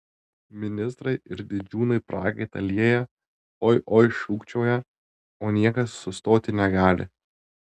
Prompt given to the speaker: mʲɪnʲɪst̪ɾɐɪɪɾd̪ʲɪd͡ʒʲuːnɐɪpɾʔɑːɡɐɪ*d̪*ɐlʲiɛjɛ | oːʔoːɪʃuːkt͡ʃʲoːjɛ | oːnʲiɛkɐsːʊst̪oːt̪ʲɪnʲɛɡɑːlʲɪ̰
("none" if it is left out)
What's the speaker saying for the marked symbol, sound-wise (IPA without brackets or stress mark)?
t̪